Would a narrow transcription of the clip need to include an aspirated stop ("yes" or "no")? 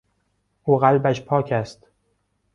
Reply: yes